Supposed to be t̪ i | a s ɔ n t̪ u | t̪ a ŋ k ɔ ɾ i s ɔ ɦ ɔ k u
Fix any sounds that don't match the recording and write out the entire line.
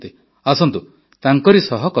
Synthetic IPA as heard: t̪ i | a s ɔ n t̪ u | t̪ a ŋ k ɔ ɾ i s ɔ ɦ ɔ k ɔ